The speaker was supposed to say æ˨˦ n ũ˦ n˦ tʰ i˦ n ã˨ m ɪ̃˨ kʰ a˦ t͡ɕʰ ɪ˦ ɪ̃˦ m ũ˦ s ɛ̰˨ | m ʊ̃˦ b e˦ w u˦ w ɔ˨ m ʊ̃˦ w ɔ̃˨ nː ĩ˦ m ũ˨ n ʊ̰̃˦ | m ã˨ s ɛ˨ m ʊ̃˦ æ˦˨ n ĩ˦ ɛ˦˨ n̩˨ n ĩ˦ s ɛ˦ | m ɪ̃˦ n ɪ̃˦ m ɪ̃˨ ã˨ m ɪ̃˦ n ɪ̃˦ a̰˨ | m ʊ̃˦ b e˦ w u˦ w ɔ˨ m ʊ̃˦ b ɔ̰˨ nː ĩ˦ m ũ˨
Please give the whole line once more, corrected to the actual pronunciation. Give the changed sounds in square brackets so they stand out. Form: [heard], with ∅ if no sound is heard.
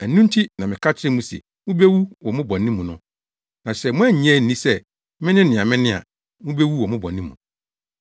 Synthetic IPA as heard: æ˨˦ n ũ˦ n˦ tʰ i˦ n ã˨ m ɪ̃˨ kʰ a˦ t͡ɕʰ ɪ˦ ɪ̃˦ m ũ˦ s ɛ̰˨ | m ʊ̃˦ b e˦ w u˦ w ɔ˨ m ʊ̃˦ [b] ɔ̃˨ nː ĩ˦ m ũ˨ n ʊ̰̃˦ | [n] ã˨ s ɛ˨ m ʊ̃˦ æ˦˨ [ɲ] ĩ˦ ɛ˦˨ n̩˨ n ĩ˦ s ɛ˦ | m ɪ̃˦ n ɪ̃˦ [n] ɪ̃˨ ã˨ m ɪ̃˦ n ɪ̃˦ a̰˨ | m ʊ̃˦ b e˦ w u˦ w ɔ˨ m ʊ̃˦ b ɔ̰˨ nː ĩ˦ m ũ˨